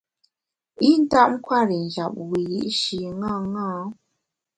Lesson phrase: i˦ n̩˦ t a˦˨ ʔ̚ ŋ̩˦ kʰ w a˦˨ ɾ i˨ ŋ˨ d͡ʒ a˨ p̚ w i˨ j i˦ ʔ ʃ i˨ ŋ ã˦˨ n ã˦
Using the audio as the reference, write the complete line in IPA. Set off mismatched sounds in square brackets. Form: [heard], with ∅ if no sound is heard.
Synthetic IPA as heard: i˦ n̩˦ t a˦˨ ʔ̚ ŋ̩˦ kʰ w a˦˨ ɾ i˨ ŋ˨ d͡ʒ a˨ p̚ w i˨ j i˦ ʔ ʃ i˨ ŋ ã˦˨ [ŋ] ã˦

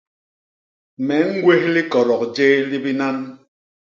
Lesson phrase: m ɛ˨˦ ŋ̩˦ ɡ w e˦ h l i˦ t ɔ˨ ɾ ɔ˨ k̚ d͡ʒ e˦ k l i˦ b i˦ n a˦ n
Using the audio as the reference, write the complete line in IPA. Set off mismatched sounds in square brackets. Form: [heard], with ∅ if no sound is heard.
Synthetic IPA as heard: m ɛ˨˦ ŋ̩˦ ɡ w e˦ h l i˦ [k] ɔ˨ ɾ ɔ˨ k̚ d͡ʒ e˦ [∅] l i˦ b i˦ n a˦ n

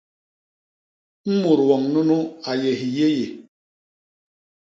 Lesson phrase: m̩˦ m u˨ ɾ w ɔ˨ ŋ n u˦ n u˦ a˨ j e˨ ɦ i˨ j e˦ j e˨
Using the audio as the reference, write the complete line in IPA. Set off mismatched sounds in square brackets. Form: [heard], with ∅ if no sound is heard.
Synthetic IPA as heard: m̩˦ m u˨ ɾ w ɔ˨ ŋ n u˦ n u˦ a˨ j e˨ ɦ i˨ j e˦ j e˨

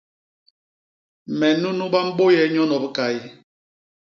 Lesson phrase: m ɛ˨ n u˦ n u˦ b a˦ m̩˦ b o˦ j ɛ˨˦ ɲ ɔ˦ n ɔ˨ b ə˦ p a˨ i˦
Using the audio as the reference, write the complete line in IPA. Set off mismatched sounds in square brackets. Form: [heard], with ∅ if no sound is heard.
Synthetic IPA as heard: m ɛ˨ n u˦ n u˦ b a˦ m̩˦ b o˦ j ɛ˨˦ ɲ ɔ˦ n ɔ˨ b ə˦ [k] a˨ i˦

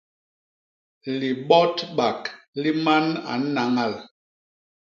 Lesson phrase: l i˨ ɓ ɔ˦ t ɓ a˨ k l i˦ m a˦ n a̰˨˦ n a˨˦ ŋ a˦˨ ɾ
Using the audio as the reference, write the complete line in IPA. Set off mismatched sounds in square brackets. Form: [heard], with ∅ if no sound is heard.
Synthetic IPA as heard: l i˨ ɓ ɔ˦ t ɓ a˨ k l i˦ m a˦ n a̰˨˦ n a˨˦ ŋ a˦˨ [l]

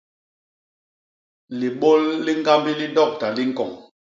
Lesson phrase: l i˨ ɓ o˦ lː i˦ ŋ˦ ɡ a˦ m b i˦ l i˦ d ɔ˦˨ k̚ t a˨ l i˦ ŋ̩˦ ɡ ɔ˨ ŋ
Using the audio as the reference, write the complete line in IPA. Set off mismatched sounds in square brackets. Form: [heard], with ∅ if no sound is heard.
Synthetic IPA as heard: l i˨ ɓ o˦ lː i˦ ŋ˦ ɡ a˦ m b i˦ l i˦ d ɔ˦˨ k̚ t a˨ l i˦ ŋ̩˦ [k] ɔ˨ ŋ

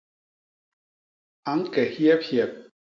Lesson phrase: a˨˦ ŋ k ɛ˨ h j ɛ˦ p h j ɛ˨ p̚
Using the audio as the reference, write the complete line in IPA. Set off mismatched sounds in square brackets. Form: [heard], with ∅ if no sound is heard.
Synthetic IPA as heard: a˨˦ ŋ k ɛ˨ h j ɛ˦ p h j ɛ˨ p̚

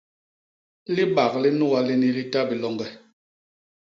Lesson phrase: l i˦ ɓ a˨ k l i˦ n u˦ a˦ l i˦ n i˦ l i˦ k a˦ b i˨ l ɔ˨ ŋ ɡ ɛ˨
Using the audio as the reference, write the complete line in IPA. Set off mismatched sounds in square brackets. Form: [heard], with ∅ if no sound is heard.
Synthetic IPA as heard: l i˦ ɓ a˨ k l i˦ n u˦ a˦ l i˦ n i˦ l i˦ [t] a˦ b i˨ l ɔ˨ ŋ ɡ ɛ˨

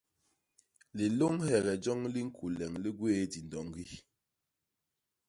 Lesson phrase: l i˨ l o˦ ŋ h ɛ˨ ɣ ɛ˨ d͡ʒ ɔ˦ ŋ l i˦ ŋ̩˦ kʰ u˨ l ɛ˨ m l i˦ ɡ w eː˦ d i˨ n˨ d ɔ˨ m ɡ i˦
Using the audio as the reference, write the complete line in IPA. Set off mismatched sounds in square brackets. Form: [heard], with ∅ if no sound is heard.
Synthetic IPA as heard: l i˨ l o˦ ŋ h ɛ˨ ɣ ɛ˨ d͡ʒ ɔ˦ ŋ l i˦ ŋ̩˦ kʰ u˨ l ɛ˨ [ŋ] l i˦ ɡ w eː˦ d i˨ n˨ d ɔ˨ [ŋ] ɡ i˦

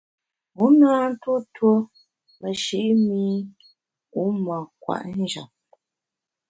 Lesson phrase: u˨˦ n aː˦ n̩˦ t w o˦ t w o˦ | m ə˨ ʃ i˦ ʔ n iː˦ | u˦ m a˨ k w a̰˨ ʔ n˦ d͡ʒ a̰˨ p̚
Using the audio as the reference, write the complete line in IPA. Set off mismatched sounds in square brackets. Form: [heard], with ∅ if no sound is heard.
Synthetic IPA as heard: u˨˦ n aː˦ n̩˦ t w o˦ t w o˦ | m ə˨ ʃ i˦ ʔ [m] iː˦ | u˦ m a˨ k w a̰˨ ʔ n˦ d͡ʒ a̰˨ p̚

